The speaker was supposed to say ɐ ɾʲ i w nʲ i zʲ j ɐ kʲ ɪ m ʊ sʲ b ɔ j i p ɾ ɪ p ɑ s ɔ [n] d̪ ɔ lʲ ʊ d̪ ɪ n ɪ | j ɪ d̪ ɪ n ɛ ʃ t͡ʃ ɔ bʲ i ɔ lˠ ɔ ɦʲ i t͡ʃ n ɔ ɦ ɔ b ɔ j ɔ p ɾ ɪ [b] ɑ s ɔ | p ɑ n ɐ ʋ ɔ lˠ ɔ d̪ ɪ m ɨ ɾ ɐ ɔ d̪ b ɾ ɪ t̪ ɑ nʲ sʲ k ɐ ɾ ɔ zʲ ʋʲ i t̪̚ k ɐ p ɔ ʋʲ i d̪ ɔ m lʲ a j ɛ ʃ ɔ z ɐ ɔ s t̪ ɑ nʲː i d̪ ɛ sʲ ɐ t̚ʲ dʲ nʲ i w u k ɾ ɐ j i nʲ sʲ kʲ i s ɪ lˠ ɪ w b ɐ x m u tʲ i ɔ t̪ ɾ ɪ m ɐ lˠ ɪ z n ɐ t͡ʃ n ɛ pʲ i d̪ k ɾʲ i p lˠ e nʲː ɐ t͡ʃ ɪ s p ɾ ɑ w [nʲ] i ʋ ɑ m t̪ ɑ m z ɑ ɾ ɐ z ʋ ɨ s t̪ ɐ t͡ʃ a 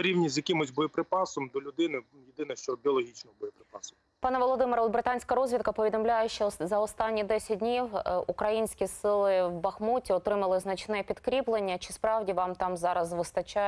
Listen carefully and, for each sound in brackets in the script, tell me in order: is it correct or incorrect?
incorrect: m, incorrect: p, incorrect: dʲ

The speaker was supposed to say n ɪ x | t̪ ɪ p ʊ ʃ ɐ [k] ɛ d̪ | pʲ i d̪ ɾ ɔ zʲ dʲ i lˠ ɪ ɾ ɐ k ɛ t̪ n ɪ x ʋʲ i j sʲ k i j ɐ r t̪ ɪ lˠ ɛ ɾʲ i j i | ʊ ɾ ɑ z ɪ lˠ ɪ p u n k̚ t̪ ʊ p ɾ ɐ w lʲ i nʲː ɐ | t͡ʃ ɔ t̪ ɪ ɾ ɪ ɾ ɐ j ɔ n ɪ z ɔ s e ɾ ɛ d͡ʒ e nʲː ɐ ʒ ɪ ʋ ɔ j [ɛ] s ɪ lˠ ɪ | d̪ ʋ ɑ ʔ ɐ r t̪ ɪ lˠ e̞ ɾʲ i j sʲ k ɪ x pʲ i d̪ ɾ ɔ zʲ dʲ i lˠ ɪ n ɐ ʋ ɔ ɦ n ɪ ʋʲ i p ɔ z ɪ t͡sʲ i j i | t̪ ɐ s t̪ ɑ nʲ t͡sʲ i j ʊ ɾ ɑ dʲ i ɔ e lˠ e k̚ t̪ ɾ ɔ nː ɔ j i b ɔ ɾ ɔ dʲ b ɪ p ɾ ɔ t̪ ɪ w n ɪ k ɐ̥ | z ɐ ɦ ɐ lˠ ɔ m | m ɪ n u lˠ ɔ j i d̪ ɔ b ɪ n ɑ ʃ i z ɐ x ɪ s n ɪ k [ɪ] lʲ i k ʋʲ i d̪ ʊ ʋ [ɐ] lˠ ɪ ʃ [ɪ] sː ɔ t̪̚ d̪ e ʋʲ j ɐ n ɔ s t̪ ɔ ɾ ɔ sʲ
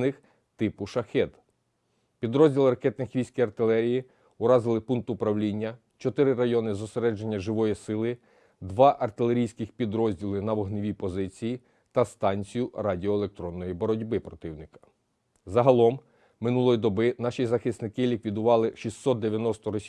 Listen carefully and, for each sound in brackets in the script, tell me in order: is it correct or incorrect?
incorrect: x, incorrect: i, correct, incorrect: ɑ, incorrect: i

